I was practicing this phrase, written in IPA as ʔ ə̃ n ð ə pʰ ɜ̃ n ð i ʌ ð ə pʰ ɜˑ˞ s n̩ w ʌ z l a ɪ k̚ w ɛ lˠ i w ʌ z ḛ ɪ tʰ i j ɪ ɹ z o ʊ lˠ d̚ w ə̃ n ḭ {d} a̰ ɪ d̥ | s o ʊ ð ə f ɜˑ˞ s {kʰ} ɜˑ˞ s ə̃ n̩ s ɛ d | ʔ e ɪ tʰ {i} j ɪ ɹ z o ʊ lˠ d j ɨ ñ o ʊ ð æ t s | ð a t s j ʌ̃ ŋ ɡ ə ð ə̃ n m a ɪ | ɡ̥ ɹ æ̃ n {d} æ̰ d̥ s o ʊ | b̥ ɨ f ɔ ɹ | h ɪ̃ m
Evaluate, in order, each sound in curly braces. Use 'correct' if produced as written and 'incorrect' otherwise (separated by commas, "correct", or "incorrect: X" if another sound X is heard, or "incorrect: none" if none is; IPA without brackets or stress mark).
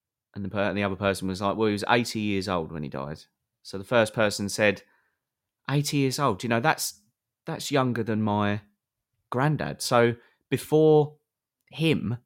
correct, incorrect: pʰ, correct, correct